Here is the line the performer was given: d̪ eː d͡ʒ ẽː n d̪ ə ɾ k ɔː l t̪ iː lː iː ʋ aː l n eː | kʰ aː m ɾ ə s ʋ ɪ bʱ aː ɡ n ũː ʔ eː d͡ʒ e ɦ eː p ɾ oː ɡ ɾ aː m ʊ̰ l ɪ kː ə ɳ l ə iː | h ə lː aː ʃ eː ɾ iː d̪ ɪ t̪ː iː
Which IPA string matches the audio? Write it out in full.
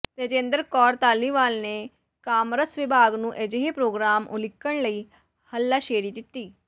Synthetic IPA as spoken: t̪ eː d͡ʒ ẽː n d̪ ə ɾ k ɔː ɾ t̪ aː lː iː ʋ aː l n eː | k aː m ɾ ə s ʋ ɪ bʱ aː ɡ n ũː ʔ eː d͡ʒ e ɦ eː p ɾ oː ɡ ɾ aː m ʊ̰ l ɪ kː ə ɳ l ə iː | h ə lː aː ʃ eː ɾ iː d̪ ɪ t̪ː iː